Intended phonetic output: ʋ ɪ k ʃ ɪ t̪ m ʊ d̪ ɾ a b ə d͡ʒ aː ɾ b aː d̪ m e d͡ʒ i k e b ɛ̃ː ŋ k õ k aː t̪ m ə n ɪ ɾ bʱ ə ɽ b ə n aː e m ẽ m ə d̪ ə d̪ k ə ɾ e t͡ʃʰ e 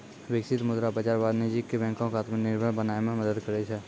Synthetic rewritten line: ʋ ɪ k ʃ ɪ t̪ m ʊ d̪ ɾ a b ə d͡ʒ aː ɾ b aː d̪ n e d͡ʒ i k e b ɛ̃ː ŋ k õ k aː t̪ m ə n ɪ ɾ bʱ ə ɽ b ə n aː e m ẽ m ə d̪ ə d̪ k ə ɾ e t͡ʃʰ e

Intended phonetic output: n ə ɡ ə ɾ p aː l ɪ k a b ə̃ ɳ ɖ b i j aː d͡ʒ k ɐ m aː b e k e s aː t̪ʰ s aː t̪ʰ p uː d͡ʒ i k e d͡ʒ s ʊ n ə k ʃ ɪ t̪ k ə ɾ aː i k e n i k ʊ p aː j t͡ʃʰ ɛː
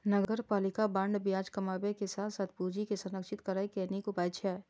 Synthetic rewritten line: n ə ɡ ə ɾ p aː l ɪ k a b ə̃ ɳ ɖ b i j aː d͡ʒ k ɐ m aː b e k e s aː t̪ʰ s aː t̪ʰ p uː d͡ʒ i k e s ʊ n ə k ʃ ɪ t̪ k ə ɾ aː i k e n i k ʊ p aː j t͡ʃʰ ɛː

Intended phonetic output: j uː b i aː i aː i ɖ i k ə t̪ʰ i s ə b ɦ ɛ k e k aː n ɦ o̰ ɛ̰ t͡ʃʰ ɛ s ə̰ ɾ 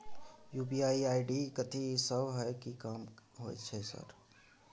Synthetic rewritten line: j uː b i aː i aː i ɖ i k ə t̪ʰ i s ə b ɦ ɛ k i k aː m ɦ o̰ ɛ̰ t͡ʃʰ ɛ s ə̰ ɾ

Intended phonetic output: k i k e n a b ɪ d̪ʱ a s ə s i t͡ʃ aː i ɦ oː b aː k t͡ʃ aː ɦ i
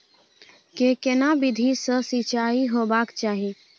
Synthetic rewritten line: k e k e n a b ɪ d̪ʱ i s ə s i t͡ʃ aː i ɦ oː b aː k t͡ʃ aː ɦ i

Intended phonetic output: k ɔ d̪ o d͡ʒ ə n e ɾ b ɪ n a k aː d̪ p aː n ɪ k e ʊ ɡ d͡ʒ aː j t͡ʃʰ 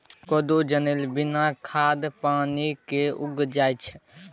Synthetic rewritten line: k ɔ d̪ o d͡ʒ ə n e l b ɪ n a kʰ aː d̪ p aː n i k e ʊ ɡ d͡ʒ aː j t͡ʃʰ

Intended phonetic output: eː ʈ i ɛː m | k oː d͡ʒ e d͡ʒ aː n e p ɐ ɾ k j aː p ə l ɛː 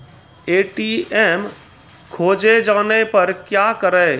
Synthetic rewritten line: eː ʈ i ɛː m | kʰ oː d͡ʒ e d͡ʒ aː n e p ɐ ɾ k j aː k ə ɾ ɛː

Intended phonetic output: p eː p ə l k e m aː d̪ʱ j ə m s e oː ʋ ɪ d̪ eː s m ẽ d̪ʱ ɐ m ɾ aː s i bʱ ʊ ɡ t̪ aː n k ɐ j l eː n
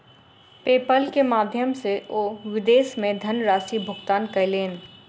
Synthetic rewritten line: p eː p ə l k e m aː d̪ʱ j ə m s e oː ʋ ɪ d̪ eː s m ẽ d̪ʱ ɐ n ɾ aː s i bʱ ʊ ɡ t̪ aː n k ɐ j l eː n

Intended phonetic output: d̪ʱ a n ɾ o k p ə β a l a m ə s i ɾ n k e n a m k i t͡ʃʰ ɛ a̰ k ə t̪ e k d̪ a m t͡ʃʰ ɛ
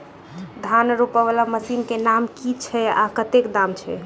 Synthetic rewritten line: d̪ʱ a n ɾ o p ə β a l a m ə s i n k e n a m k i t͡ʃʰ ɛ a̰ k ə t̪ e k d̪ a m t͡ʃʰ ɛ

